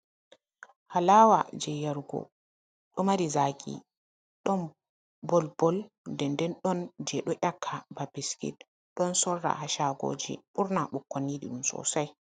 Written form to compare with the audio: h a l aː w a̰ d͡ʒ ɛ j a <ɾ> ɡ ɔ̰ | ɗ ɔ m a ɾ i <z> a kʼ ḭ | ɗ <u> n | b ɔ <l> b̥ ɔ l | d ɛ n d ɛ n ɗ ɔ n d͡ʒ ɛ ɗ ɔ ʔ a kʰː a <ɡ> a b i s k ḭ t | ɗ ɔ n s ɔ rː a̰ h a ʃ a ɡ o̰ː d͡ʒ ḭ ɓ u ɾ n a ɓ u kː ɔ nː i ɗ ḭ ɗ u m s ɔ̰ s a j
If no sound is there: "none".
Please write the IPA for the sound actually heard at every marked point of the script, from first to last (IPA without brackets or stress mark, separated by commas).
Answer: ɾ, z, ɔ, l, b